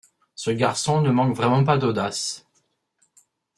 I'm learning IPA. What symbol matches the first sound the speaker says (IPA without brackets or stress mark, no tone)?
s